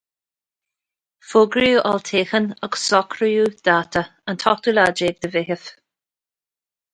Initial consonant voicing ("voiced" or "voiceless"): voiceless